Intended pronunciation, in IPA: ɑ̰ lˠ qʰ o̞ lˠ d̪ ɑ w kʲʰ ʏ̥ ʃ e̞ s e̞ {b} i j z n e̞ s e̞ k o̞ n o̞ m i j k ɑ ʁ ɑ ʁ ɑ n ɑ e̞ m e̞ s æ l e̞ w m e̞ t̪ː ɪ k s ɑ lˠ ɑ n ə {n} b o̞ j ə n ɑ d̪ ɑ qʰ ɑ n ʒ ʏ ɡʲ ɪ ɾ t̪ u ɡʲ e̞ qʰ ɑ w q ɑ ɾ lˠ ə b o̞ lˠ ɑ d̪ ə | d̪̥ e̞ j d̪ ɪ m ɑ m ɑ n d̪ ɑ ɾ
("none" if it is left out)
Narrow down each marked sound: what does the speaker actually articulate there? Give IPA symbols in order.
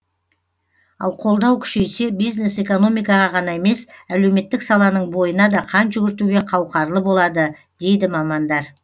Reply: b, ɴ

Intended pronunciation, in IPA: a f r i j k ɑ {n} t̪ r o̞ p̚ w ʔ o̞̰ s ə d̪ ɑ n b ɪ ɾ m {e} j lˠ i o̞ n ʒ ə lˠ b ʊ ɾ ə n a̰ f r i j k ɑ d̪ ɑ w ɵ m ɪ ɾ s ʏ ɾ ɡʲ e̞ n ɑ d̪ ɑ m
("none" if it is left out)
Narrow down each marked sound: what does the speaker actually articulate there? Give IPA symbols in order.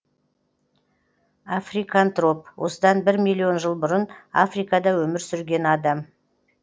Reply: n, i

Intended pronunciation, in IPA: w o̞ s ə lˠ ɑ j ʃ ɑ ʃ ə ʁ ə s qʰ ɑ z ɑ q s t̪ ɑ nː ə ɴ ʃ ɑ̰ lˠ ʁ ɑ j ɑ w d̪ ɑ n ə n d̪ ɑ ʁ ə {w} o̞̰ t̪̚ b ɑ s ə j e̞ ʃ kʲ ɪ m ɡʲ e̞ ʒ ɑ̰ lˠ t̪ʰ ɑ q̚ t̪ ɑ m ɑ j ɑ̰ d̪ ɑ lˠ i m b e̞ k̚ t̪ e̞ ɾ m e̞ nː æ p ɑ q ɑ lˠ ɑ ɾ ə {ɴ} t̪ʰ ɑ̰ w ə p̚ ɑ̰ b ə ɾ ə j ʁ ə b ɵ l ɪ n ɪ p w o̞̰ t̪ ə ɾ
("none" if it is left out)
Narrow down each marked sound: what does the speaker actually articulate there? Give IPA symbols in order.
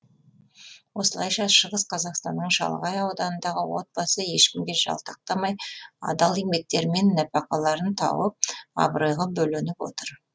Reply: w, n

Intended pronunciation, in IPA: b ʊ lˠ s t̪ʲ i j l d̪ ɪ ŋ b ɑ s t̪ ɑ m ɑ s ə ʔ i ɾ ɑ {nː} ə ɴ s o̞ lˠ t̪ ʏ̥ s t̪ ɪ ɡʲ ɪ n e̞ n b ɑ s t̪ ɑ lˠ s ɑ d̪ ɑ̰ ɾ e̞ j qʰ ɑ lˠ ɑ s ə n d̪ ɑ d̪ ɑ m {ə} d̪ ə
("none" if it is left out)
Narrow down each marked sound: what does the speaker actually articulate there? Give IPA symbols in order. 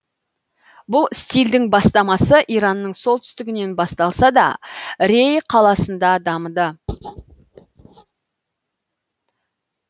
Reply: nː, ə

